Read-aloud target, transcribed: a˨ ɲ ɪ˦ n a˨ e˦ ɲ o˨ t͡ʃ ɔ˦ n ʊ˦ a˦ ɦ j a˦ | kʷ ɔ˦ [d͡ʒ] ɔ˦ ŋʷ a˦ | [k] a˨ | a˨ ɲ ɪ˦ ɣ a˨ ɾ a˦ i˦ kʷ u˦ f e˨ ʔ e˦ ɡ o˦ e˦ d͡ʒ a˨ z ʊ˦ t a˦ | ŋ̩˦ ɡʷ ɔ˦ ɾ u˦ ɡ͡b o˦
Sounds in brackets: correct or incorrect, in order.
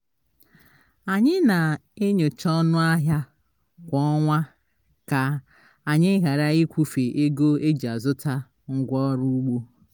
incorrect, correct

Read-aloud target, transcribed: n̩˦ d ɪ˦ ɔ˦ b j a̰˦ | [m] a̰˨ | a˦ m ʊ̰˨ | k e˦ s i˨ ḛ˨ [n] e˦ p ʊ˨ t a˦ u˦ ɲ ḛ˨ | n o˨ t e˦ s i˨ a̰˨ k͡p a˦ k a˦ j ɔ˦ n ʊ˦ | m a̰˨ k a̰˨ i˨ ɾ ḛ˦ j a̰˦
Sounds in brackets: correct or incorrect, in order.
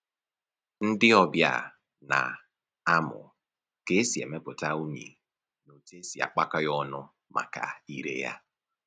incorrect, incorrect

